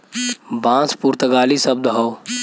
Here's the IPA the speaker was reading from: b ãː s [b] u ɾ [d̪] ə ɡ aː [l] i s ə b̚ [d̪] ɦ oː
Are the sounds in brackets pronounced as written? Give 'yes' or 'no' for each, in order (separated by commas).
no, no, yes, yes